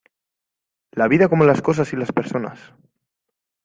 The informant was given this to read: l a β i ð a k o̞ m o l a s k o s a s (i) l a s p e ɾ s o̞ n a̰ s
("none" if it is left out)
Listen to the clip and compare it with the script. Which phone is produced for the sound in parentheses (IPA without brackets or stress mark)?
i